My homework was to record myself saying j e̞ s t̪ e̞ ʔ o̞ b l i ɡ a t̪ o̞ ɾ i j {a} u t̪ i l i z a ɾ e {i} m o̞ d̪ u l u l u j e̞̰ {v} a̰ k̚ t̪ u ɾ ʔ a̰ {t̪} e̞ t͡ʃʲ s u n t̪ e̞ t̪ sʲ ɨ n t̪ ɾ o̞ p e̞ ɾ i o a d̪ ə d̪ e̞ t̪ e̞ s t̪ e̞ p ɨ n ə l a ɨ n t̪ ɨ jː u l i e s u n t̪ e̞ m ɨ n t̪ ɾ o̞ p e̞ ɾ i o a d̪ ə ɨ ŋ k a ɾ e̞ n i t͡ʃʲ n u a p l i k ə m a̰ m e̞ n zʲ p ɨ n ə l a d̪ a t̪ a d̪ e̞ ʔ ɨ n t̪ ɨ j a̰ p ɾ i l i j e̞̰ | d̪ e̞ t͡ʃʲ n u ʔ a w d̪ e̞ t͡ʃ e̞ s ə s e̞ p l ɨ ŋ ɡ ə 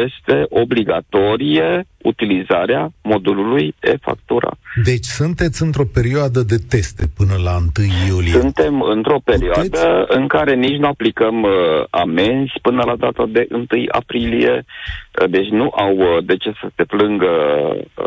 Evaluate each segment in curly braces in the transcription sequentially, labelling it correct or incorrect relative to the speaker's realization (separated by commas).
incorrect, incorrect, incorrect, incorrect